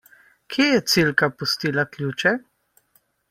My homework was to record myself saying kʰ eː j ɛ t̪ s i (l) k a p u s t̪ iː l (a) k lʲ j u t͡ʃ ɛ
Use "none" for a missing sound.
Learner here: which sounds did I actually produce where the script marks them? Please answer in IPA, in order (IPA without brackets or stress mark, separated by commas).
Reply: l, a